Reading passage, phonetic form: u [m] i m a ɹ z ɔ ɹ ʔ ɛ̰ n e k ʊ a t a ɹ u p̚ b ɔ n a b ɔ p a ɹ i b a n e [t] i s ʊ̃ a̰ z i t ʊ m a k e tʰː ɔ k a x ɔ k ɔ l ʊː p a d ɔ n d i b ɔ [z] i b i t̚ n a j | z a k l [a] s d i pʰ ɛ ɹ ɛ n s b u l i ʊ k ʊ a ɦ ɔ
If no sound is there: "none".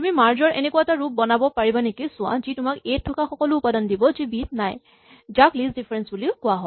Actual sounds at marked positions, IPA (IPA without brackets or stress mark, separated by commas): m, k, z, i